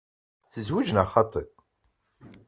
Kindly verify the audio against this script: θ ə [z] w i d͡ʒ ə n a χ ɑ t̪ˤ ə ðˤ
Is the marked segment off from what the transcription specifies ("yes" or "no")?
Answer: no